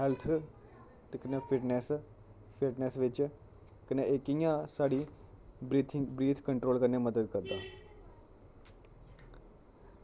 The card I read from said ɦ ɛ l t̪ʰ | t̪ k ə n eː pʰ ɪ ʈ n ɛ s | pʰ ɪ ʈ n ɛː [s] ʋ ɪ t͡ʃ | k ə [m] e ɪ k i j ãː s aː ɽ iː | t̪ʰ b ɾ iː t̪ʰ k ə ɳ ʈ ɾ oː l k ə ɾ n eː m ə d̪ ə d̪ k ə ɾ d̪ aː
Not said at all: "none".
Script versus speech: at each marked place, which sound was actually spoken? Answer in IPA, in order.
s, n

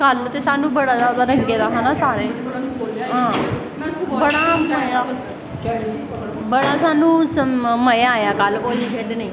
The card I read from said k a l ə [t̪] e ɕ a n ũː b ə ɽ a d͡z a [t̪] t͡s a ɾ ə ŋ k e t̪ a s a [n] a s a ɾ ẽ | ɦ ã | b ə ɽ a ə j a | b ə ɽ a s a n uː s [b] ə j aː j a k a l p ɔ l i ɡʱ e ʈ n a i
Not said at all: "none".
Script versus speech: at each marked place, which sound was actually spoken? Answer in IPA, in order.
t̪, none, n, m

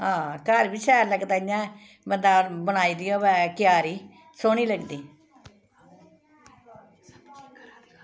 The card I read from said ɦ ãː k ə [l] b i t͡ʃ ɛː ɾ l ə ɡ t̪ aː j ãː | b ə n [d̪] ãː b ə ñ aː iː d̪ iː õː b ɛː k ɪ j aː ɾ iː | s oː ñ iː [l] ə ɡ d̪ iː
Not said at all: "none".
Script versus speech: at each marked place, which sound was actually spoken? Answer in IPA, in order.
ɾ, d̪, l

